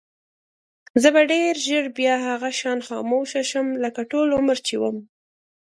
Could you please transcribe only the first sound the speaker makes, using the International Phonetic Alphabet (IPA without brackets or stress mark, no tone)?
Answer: z